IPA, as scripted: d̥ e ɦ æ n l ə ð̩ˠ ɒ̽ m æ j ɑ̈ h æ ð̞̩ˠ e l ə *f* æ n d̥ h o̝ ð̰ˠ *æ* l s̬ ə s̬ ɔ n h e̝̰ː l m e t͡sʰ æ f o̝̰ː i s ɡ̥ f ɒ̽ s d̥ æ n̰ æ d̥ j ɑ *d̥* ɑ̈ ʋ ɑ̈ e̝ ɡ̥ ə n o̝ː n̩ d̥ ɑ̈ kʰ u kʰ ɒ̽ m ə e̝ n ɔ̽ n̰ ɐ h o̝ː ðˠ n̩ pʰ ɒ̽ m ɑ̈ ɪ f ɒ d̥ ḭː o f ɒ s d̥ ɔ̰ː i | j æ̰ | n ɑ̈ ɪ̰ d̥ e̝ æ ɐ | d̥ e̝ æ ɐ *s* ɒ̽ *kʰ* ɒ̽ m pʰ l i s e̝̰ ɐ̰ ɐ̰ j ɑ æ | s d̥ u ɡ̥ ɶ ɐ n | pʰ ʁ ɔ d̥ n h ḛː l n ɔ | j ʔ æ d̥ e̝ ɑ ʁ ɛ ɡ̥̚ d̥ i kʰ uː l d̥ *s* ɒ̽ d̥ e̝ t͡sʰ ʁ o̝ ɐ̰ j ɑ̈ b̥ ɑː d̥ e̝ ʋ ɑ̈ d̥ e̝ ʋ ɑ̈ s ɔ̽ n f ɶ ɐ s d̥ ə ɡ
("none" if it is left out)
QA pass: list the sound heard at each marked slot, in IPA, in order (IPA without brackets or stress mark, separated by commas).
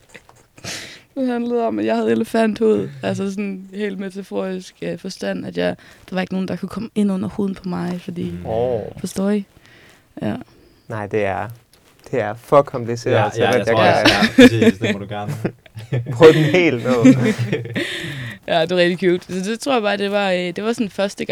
f, æ, d̥, f, kʰ, s